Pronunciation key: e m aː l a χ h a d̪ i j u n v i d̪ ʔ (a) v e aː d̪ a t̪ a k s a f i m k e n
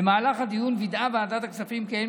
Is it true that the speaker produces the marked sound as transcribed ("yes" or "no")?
yes